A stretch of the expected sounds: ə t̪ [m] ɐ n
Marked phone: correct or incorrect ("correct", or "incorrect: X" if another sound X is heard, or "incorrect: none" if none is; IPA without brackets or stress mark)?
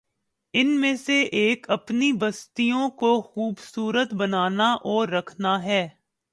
incorrect: b